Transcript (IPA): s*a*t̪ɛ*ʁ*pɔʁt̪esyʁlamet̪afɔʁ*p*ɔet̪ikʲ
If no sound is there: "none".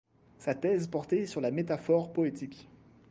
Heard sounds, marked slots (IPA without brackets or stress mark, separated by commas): a, z, p